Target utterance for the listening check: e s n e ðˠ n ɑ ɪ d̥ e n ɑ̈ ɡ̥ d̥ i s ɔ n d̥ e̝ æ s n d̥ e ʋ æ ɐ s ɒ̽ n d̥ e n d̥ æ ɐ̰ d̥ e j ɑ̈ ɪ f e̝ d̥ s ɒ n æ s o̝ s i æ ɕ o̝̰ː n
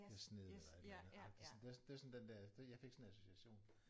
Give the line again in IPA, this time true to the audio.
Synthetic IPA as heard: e s n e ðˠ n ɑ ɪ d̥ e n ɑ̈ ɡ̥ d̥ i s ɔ n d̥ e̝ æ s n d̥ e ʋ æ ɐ s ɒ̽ n d̥ e n d̥ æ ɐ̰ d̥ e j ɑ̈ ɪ f e̝ ɡ̥ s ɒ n æ s o̝ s i æ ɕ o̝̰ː n